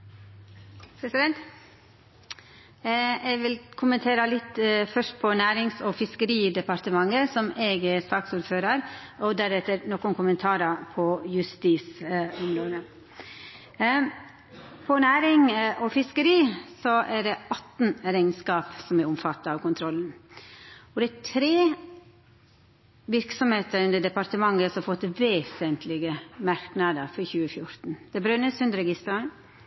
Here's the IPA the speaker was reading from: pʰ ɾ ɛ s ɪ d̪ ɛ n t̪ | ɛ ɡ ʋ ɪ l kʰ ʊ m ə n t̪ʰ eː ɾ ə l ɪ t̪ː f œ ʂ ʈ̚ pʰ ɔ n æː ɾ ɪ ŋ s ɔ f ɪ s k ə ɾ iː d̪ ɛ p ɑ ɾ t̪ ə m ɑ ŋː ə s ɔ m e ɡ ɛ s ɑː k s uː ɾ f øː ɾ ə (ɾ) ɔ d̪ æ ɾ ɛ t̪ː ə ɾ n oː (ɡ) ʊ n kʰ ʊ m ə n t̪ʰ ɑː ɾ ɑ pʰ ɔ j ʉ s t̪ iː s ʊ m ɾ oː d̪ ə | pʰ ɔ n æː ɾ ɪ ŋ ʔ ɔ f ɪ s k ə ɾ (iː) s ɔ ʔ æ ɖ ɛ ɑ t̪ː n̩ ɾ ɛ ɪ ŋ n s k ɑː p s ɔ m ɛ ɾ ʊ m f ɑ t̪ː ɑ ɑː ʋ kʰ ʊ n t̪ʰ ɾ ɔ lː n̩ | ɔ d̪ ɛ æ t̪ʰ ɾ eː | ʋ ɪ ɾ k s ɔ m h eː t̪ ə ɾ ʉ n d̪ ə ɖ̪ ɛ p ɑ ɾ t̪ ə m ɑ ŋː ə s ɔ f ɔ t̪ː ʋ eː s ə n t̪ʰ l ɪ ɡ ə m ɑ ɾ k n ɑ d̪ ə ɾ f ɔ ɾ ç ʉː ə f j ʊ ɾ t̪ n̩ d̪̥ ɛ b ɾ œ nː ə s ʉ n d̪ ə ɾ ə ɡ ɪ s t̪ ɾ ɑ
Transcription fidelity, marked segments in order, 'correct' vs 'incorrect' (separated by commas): correct, incorrect, correct